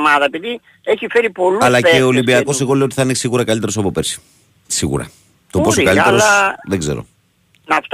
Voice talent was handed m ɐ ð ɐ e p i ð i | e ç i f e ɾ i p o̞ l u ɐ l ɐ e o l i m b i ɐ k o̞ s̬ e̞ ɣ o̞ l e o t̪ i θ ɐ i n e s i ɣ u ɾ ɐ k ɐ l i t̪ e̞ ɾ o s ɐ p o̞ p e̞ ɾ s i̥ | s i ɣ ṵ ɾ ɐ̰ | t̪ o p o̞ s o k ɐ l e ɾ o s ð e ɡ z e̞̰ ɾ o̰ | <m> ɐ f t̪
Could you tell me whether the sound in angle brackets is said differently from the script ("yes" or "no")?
yes